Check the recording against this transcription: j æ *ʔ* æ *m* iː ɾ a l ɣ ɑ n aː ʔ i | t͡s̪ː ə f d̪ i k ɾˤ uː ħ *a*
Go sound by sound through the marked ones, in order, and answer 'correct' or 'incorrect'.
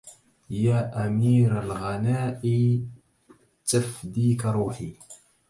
correct, correct, incorrect

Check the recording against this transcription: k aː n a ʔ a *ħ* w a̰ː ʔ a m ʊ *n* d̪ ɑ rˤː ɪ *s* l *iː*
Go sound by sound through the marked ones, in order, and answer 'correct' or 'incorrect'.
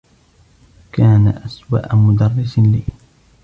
incorrect, incorrect, correct, correct

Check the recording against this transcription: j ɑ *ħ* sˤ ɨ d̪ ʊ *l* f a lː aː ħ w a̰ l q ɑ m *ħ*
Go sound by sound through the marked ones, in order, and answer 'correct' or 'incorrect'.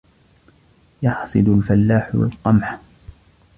correct, correct, correct

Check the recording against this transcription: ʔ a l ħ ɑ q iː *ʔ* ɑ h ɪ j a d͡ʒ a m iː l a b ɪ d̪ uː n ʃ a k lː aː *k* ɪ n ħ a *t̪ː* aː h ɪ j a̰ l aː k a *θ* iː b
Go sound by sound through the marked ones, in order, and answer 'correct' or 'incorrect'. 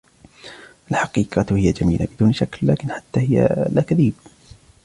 incorrect, correct, correct, incorrect

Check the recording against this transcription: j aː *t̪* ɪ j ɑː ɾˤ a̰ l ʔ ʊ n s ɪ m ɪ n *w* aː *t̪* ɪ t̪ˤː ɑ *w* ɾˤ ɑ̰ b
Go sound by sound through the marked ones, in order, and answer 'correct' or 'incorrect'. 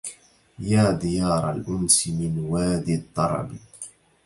incorrect, correct, incorrect, incorrect

